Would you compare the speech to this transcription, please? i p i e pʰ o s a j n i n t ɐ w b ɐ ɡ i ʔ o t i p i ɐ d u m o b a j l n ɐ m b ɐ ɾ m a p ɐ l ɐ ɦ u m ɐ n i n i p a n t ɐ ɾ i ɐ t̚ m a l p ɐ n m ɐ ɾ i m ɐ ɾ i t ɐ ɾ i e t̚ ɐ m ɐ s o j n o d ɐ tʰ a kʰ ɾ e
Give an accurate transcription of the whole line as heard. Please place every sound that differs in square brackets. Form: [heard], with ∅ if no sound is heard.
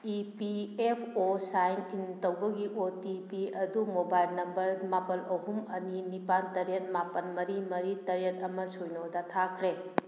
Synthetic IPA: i p i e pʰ o s a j n i n t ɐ w b ɐ ɡ i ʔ o t i p i ɐ d u m o b a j l n ɐ m b ɐ ɾ m a p ɐ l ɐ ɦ u m ɐ n i n i p a n t ɐ ɾ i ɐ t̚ m a [∅] p ɐ n m ɐ ɾ i m ɐ ɾ i t ɐ ɾ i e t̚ ɐ m ɐ s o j n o d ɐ tʰ a kʰ ɾ e